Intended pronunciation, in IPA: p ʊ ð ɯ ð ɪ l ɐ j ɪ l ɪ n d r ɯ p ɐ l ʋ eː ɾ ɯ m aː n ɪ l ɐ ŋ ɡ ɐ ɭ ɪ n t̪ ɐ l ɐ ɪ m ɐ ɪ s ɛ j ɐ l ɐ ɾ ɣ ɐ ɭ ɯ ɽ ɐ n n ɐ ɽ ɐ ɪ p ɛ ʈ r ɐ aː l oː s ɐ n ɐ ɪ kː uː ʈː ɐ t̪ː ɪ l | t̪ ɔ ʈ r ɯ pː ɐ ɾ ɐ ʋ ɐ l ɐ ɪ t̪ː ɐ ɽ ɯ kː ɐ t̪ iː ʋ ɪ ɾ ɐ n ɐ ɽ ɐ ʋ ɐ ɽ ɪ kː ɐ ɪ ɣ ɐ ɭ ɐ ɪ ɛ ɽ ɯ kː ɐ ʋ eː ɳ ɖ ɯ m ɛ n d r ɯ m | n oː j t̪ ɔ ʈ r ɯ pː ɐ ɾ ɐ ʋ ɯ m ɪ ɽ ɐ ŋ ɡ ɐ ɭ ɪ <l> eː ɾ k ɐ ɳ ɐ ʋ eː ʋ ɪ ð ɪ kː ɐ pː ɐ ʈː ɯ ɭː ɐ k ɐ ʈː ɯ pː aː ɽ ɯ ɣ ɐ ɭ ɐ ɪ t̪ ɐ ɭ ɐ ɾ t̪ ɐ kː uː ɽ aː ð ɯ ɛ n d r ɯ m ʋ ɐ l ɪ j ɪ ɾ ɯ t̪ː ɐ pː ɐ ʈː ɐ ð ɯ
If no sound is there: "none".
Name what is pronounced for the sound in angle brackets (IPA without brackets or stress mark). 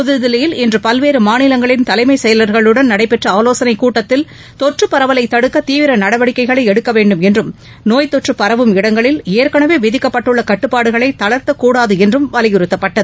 l